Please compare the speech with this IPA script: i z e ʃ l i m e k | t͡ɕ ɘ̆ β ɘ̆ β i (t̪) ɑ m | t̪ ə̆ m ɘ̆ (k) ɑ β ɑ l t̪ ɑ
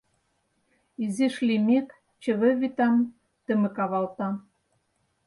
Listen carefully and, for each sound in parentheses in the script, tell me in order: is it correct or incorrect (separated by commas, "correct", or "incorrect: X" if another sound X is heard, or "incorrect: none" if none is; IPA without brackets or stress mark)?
correct, correct